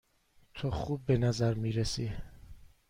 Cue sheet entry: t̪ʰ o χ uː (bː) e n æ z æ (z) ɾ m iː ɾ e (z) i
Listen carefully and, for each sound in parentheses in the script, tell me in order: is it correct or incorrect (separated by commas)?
correct, incorrect, incorrect